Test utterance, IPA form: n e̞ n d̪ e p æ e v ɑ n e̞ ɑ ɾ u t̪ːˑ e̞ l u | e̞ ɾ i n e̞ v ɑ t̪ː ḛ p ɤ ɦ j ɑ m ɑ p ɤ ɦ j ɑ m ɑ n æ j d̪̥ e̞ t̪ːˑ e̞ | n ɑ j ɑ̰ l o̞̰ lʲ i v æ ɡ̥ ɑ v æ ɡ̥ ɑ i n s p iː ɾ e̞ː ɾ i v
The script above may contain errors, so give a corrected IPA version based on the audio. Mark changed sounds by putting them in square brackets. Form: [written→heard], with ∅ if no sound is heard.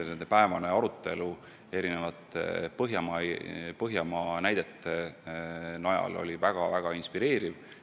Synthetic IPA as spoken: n e̞ n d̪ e p æ e v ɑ n e̞ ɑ ɾ u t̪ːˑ e̞ l u | e̞ ɾ i n e̞ v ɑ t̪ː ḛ p ɤ ɦ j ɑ m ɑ p ɤ ɦ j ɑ m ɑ n æ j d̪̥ e̞ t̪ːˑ e̞ | n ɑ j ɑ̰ l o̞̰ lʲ i v æ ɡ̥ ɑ v æ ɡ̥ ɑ i n s p [iː→i] ɾ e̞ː ɾ i v